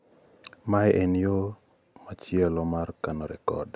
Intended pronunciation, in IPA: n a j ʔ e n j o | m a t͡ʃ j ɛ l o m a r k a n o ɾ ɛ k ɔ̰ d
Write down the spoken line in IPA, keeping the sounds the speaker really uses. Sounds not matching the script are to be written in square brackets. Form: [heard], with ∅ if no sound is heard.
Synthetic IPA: [m] a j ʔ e n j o | m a t͡ʃ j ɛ l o m a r k a n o ɾ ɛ k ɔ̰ d

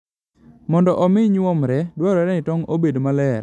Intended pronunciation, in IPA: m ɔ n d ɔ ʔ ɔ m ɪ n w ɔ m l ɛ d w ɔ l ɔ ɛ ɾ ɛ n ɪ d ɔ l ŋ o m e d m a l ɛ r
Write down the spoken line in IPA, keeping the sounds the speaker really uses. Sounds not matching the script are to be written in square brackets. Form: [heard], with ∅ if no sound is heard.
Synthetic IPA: m ɔ n d ɔ ʔ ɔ m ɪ [ɲ] w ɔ m [ɾ] ɛ d w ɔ [ɾ] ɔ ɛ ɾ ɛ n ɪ [t] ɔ [∅] ŋ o [b] e d m a l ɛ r

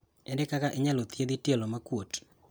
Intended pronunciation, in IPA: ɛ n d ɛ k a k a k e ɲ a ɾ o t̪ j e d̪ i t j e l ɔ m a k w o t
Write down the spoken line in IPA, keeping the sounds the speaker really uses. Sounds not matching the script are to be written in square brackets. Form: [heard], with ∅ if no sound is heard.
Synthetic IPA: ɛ n d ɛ k a k a [ʔ] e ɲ a [l] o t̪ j e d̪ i t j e l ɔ m a k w o t

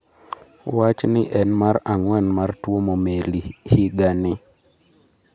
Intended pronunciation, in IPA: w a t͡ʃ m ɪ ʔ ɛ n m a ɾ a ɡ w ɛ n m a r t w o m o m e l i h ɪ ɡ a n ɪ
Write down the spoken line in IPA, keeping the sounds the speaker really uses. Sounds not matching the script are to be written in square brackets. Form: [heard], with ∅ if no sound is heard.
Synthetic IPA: w a t͡ʃ [n] ɪ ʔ ɛ n m a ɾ a [ŋ] w ɛ n m a r t w o m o m e l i h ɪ ɡ a n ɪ

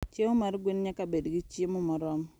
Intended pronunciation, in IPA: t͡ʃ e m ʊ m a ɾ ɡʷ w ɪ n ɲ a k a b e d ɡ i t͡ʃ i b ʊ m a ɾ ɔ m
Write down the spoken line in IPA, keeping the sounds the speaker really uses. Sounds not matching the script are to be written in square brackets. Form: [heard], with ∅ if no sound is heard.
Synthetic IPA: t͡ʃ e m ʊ m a ɾ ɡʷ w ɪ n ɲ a k a b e d ɡ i t͡ʃ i [m] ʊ m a ɾ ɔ m

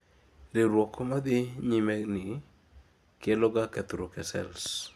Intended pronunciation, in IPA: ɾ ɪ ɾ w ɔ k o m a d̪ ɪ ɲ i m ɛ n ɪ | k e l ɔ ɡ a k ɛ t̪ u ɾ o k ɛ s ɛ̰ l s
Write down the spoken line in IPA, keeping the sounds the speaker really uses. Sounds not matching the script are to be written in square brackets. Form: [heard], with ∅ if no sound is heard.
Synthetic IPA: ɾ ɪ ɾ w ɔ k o m a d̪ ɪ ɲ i m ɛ n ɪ | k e l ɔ ɡ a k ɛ t̪ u ɾ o k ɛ s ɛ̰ l s

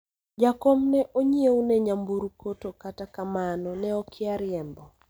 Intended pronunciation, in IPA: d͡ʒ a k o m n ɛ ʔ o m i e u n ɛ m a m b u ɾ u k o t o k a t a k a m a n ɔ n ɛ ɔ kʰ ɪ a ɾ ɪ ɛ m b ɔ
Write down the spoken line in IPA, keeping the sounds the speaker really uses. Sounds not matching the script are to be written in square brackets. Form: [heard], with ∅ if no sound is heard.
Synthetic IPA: d͡ʒ a k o m n ɛ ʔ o [ɲ] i e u n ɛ [ɲ] a m b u ɾ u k o t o k a t a k a m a n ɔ n ɛ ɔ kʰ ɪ a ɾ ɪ ɛ m b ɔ

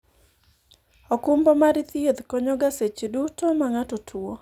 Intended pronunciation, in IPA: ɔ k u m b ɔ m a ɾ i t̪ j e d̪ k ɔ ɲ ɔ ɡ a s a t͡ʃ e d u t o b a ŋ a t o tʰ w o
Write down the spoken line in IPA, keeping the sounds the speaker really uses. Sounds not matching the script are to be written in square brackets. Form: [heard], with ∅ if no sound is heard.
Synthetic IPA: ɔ k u m b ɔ m a ɾ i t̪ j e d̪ k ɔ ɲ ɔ ɡ a s [e] t͡ʃ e d u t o [m] a ŋ a t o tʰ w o

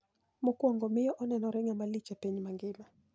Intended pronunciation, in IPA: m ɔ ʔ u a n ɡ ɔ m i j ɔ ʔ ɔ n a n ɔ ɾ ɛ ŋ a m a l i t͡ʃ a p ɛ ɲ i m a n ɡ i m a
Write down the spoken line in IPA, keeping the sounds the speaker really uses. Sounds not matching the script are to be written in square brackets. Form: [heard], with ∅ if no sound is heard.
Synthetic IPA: m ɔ [k] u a [ŋ] ɡ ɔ m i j ɔ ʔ ɔ n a n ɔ ɾ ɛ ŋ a m a l i t͡ʃ a p ɛ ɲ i m a [ŋ] ɡ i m a

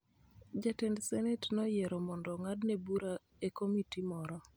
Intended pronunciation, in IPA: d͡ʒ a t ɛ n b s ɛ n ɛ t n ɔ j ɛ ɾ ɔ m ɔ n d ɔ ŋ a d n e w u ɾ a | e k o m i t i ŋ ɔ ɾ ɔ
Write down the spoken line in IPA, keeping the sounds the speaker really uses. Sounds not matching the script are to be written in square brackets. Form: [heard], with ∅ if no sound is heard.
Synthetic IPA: d͡ʒ a t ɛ n [d] s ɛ n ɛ t n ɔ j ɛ ɾ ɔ m ɔ n d ɔ ŋ a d n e [b] u ɾ a | e k o m i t i [m] ɔ ɾ ɔ

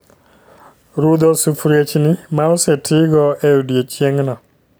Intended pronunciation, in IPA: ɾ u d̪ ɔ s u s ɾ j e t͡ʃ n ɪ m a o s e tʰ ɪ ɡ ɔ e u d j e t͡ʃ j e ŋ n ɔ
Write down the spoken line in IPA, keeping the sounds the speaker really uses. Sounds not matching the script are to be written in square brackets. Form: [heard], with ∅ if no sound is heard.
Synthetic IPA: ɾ u d̪ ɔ s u [f] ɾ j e t͡ʃ n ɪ m a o s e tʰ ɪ ɡ ɔ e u d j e t͡ʃ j e ŋ n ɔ

